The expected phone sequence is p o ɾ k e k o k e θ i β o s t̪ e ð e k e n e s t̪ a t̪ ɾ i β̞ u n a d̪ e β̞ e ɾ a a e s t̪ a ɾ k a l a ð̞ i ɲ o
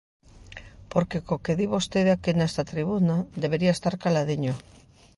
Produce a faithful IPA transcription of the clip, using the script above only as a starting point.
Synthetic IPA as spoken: p o ɾ k e k o k e ð i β o s t̪ e ð a k e n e s t̪ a t̪ ɾ i β̞ u n a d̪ e β̞ e ɾ i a e s t̪ a ɾ k a l a ð̞ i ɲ o